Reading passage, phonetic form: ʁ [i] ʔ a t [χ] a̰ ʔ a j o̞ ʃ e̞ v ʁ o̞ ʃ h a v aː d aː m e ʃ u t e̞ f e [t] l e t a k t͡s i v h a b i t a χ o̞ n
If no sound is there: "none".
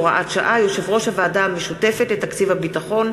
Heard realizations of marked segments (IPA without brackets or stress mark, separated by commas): a, ʃ, t